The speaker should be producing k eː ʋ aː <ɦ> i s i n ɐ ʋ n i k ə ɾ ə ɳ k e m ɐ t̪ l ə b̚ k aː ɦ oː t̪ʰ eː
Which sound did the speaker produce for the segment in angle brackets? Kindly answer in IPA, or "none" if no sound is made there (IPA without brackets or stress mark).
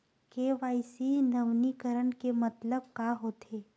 none